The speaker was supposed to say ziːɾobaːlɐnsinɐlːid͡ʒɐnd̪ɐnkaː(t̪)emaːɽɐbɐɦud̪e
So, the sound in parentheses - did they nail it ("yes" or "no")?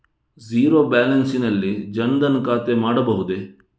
yes